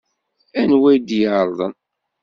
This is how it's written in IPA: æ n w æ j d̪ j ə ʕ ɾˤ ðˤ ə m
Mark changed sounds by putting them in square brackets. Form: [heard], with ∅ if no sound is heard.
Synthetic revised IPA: æ n w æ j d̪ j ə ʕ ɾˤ ðˤ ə [n]